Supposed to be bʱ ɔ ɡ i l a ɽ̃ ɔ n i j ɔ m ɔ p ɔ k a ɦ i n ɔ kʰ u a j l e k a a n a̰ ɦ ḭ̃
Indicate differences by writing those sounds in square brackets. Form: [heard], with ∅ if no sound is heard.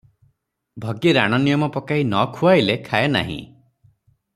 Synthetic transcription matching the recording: bʱ ɔ ɡ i [ɾ] a ɽ̃ ɔ n i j ɔ m ɔ p ɔ k a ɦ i n ɔ kʰ u a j l e [kʰ] a [e] n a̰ ɦ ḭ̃